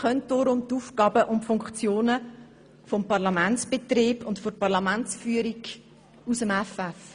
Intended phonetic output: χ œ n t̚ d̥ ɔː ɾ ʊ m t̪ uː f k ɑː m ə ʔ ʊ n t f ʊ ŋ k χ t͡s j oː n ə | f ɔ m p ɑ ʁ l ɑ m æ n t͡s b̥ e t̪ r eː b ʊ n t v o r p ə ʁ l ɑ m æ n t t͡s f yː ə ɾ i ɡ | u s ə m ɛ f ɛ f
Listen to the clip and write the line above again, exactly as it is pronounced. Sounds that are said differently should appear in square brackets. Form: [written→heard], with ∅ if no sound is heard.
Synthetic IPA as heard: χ œ n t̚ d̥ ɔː ɾ ʊ m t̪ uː f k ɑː [m→b] ə ʔ ʊ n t f ʊ ŋ k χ t͡s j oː n ə | f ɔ m p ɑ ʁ l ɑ m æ n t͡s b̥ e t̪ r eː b ʊ n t [v→f] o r p [ə→ɑ] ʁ l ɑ m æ n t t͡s f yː ə ɾ i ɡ | u s ə m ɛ f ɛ f

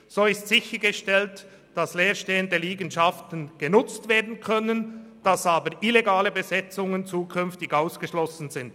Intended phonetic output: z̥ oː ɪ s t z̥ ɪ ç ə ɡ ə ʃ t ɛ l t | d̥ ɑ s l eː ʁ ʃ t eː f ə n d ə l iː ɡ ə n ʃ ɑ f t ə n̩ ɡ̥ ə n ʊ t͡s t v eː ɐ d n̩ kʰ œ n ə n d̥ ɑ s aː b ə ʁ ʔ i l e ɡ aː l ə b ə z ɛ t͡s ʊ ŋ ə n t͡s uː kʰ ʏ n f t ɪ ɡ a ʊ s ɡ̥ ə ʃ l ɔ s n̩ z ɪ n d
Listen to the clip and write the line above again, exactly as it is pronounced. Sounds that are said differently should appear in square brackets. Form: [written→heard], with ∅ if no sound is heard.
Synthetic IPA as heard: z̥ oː ɪ s t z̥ ɪ ç ə ɡ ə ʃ t ɛ l t | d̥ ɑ s l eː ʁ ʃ t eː [f→∅] ə n d ə l iː ɡ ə n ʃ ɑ f t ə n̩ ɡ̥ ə n ʊ t͡s t v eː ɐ d n̩ kʰ œ n ə n d̥ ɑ s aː b ə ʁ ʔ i l e ɡ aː l ə b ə z ɛ t͡s ʊ ŋ ə n t͡s uː kʰ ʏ n f t ɪ ɡ a ʊ s ɡ̥ ə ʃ l ɔ s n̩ z ɪ n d

